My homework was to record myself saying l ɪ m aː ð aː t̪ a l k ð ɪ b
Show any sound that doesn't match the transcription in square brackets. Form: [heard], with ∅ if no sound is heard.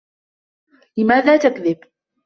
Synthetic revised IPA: l ɪ m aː ð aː t̪ a [∅] k ð ɪ b